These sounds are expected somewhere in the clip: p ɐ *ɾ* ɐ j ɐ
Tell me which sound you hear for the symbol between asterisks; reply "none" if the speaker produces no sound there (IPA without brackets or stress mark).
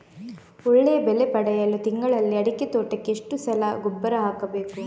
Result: ɽ